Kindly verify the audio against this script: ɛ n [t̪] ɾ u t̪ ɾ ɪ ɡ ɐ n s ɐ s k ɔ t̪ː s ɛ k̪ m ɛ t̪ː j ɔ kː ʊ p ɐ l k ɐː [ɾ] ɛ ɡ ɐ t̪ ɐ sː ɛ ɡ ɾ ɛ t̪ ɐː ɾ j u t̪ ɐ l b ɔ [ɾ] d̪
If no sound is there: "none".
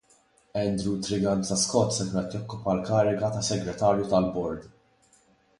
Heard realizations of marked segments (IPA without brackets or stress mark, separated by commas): d̪, ɾ, ɾ